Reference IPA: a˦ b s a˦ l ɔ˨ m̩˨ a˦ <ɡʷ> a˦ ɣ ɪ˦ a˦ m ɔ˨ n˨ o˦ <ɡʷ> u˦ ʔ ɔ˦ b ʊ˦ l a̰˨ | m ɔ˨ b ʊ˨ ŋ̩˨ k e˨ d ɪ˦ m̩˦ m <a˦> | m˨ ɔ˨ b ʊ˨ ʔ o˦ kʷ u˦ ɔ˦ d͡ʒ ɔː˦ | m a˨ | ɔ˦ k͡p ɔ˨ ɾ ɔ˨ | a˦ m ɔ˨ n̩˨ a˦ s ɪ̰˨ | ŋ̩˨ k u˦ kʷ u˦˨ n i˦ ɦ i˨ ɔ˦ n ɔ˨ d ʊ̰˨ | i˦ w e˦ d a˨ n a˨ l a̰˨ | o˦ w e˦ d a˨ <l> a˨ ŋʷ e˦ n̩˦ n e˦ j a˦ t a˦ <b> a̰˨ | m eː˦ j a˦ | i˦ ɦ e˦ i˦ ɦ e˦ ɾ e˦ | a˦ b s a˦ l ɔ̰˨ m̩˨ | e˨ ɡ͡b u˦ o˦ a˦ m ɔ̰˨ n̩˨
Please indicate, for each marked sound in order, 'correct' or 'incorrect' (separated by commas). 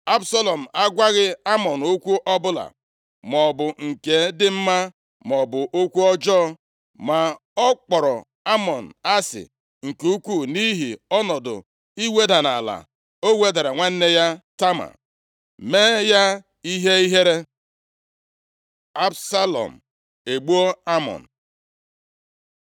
correct, incorrect, correct, incorrect, incorrect